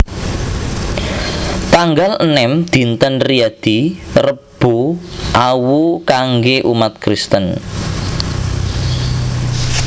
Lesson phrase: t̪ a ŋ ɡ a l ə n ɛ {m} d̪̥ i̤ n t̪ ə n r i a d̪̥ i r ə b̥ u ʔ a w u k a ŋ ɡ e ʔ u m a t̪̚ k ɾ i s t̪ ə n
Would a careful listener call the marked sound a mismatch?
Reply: no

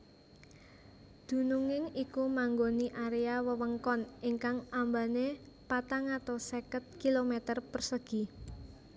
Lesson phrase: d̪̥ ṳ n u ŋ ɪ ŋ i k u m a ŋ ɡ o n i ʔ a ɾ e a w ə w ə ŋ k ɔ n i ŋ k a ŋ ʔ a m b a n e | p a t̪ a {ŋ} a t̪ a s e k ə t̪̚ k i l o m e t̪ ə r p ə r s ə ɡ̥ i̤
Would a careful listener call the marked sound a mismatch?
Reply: no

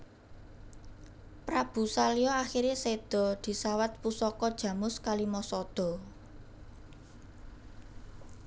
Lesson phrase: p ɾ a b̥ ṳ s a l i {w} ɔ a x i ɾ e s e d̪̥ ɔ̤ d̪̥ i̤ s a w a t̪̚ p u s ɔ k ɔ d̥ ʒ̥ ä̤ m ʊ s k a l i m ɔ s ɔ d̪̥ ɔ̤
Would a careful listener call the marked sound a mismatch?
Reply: yes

